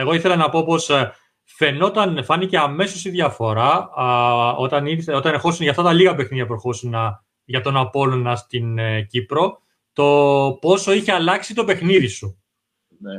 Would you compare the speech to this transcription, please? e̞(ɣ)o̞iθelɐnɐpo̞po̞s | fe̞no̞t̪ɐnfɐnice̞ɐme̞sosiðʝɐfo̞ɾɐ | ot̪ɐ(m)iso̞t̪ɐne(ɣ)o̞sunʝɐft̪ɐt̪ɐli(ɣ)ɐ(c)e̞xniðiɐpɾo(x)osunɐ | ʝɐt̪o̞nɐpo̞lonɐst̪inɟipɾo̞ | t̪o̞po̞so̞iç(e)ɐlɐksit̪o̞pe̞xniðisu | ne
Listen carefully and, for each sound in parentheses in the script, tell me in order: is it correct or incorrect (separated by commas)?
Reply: correct, incorrect, incorrect, correct, incorrect, correct, correct